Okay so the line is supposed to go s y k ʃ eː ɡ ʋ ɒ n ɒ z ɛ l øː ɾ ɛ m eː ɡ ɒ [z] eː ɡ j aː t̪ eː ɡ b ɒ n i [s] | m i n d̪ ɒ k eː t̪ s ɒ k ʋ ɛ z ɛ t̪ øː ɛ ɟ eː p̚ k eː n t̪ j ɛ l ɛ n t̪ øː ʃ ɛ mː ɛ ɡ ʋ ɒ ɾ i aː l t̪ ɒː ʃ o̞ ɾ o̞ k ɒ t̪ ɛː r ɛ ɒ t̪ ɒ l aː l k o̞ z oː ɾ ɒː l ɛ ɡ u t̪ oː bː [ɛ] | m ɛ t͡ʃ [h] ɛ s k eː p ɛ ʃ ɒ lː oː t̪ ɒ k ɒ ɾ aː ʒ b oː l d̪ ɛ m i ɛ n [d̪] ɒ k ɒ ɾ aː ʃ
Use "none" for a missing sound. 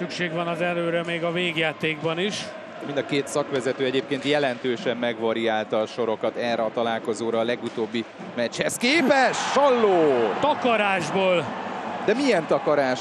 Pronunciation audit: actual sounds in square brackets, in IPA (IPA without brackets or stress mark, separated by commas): v, ʃ, i, h, t̪